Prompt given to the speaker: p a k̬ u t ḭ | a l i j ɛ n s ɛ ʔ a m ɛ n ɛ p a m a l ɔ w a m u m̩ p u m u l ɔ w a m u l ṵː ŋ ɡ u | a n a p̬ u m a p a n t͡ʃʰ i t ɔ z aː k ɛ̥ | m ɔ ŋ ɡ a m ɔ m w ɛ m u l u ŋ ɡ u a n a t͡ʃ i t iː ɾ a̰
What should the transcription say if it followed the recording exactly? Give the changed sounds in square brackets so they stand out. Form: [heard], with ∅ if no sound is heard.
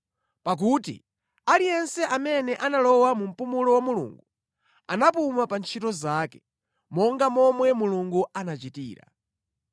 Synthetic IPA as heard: p a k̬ u t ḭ | a l i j ɛ n s ɛ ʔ a m ɛ n ɛ [ʔ] a [n] a l ɔ w a m u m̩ p u m u l ɔ w a m u l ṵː ŋ ɡ u | a n a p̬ u m a p a n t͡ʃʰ i t ɔ z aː k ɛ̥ | m ɔ ŋ ɡ a m ɔ m w ɛ m u l u ŋ ɡ u a n a t͡ʃ i t iː ɾ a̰

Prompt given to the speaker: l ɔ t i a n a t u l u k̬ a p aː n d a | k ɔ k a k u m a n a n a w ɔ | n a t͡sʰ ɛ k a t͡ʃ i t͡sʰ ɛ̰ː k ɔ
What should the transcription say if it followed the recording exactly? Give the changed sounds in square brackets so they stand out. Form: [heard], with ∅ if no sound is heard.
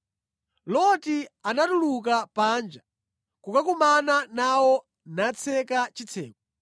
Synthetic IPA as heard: l ɔ t i a n a t u l u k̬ a p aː n [d͡ʒ] a | k [u] k a k u m a n a n a w ɔ | n a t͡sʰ ɛ k a t͡ʃ i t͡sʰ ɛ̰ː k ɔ

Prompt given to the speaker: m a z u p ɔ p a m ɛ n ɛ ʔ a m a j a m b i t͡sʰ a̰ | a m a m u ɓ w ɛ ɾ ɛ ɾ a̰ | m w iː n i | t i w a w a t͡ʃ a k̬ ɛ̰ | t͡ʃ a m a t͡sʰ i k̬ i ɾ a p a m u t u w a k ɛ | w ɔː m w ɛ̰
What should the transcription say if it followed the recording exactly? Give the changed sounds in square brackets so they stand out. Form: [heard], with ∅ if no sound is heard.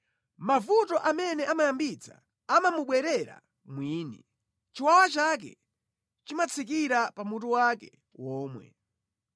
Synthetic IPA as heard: m a [v] u [t] ɔ [ʔ] a m ɛ n ɛ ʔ a m a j a m b i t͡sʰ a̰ | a m a m u ɓ w ɛ ɾ ɛ ɾ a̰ | m w iː n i | [t͡ʃ] i w a w a t͡ʃ a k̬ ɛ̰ | t͡ʃ [i] m a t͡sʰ i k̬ i ɾ a p a m u t u w a k ɛ | w ɔː m w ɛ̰

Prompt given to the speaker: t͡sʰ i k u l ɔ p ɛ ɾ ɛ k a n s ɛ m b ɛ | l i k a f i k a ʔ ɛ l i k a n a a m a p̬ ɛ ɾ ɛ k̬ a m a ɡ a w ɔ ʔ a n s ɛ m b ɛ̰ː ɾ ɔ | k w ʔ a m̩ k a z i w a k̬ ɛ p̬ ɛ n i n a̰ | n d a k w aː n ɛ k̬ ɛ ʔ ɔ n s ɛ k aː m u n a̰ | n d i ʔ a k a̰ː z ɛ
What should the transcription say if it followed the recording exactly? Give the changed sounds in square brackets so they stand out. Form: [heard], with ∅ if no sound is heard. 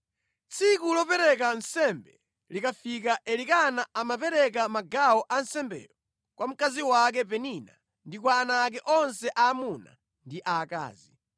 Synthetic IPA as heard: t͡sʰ i k u l ɔ p ɛ ɾ ɛ k a n s ɛ m b ɛ | l i k a f i k a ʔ ɛ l i k a n a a m a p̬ ɛ ɾ ɛ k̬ a m a ɡ a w ɔ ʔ a n s ɛ m b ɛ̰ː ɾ ɔ | k w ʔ a m̩ k a z i w a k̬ ɛ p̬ ɛ n i n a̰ | n d [i] k w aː n [a] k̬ ɛ ʔ ɔ n s ɛ [ʔ] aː m u n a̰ | n d i ʔ a k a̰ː z [i]

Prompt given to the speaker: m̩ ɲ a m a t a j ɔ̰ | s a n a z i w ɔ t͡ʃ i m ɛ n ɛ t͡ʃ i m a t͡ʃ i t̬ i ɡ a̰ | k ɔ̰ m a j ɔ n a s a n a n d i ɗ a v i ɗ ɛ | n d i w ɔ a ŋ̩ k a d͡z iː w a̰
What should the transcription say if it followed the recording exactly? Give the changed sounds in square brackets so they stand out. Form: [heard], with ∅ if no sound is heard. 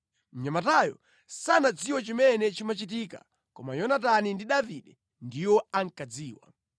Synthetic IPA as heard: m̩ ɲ a m a t a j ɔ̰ | s a n a [d͡z] i w ɔ t͡ʃ i m ɛ n ɛ t͡ʃ i m a t͡ʃ i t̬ i [k] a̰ | k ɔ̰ m a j ɔ n a [t] a n [i] n d i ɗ a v i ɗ ɛ | n d i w ɔ a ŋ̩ k a d͡z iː w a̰

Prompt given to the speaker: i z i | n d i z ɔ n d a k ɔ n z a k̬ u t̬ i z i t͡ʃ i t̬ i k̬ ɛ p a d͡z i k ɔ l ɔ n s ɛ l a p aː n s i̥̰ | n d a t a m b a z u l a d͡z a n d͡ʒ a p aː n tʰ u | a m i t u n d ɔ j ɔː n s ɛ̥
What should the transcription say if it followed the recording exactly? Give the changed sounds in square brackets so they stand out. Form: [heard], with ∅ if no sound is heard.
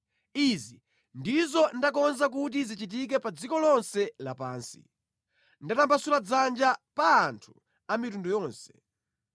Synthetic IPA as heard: i z i | n d i z ɔ n d a k ɔ n z a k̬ u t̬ i z i t͡ʃ i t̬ i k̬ ɛ p a d͡z i k ɔ l ɔ n s ɛ l a p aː n s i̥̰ | n d a t a m b a [s] u l a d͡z a n d͡ʒ a p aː n tʰ u | a m i t u n d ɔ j ɔː n s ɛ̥

